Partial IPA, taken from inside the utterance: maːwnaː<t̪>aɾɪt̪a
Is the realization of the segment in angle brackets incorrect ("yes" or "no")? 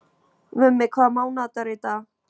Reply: no